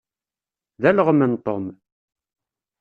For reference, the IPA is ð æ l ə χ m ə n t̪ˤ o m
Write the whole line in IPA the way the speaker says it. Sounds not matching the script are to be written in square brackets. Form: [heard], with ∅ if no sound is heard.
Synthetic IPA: ð æ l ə [ʁ] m ə n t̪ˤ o m